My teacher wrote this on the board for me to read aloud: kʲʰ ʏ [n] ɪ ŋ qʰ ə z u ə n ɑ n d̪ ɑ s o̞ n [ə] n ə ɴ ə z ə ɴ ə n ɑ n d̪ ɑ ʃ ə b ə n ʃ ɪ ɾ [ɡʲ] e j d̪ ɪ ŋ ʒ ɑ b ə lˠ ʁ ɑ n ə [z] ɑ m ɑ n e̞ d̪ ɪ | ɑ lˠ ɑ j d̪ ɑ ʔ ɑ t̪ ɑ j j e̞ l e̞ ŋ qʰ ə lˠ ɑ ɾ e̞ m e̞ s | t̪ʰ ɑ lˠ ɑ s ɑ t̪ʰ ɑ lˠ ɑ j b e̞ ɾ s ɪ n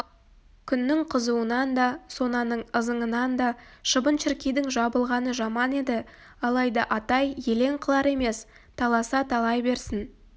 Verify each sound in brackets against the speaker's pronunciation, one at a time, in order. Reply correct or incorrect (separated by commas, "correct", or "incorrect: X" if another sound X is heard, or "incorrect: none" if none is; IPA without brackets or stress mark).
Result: incorrect: nː, incorrect: ɑ, incorrect: kʲ, incorrect: ʒ